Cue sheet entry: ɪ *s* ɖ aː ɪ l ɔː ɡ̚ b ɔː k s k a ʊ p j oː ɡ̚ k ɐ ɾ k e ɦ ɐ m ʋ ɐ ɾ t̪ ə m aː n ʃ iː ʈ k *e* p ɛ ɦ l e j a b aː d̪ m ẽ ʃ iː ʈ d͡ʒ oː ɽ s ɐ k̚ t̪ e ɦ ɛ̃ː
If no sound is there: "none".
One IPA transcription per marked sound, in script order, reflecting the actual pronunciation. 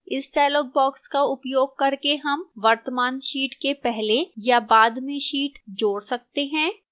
s, e

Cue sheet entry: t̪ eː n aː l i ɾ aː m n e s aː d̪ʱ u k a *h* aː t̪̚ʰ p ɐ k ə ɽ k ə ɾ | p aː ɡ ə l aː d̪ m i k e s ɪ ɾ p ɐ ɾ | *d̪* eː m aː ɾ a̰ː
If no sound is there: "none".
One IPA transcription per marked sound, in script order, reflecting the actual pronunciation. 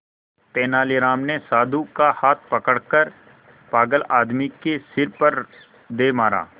h, d̪

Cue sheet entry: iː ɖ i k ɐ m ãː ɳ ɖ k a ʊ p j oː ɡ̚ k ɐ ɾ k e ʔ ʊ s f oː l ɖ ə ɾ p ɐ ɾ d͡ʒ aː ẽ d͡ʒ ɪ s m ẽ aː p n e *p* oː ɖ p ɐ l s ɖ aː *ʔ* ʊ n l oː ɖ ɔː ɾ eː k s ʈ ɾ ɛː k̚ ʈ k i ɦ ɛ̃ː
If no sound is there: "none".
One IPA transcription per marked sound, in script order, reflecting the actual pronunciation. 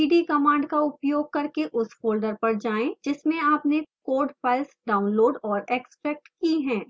k, none

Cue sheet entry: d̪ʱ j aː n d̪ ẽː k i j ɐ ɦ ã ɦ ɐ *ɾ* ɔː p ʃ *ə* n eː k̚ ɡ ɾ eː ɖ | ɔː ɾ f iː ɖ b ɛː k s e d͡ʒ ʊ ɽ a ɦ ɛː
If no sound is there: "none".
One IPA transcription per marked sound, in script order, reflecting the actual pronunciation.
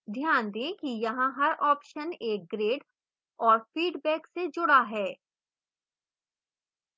ɾ, ə

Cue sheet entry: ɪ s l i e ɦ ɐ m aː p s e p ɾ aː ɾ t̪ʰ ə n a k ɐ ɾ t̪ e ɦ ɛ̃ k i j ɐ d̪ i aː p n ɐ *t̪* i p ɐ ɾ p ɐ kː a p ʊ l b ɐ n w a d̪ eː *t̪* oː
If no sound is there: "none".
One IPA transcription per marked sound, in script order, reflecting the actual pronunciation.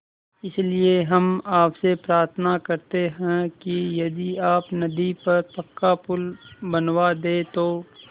d̪, t̪

